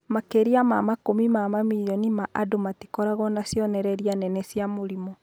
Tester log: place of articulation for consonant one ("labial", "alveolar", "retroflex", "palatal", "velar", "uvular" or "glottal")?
labial